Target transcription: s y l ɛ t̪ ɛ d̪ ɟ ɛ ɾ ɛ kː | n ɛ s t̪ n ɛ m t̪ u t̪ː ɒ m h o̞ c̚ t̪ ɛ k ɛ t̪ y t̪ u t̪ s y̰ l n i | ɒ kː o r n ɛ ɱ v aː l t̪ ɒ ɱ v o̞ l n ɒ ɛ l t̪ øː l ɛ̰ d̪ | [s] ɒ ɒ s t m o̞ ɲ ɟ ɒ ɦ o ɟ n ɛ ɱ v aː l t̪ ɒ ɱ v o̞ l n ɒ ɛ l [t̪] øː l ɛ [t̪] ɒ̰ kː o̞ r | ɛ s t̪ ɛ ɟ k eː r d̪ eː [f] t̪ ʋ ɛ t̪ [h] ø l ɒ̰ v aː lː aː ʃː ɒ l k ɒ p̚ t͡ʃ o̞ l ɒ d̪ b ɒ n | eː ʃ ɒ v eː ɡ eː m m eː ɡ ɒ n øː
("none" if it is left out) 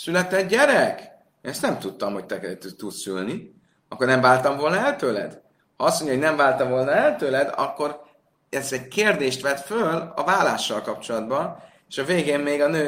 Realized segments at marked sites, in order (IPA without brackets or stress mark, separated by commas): h, t̪, d̪, ʃ, f